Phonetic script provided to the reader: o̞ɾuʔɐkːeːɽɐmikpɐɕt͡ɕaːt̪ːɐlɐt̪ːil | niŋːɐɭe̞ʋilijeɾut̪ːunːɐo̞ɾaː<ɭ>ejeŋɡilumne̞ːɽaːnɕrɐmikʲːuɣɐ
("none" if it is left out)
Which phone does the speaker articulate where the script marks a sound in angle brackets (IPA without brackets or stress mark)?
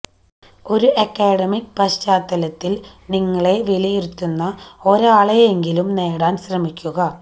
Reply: ɭ